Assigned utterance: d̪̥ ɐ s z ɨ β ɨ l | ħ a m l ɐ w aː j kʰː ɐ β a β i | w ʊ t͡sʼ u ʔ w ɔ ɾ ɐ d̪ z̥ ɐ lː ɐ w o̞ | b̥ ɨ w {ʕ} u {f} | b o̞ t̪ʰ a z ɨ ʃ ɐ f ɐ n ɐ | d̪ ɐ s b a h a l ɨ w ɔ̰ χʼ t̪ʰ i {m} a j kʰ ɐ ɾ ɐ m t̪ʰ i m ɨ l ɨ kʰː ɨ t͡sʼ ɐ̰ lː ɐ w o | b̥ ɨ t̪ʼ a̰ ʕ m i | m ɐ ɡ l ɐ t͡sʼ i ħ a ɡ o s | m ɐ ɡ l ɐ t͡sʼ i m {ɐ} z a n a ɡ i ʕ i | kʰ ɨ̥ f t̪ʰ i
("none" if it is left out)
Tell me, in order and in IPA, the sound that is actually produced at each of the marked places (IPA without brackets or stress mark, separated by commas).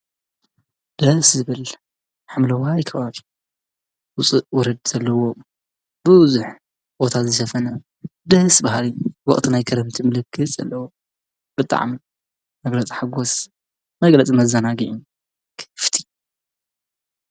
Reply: z, ħ, n, ɐ